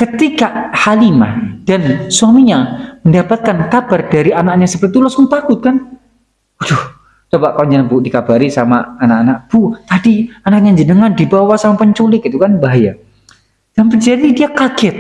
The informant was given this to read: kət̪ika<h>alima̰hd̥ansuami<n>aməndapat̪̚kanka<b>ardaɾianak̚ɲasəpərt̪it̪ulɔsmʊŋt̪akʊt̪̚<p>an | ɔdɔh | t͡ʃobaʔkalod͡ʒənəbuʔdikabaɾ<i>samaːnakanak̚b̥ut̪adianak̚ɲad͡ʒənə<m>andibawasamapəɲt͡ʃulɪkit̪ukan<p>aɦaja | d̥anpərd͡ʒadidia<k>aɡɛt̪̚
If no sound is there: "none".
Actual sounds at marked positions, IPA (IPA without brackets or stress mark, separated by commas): h, ɲ, b, k, i, ŋ, b, k